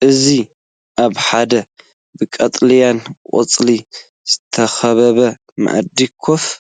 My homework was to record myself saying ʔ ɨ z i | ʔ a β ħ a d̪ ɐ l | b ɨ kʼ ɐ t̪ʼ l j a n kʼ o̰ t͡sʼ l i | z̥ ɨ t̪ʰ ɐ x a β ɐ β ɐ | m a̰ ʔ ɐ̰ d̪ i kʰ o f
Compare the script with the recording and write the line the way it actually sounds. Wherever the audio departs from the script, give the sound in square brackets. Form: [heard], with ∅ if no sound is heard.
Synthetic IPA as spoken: ʔ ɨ z i | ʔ a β ħ a d̪ ɐ [∅] | b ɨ kʼ ɐ t̪ʼ l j a n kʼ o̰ t͡sʼ l i | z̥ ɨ t̪ʰ ɐ x [ɐ] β ɐ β ɐ | m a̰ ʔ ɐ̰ d̪ i kʰ o f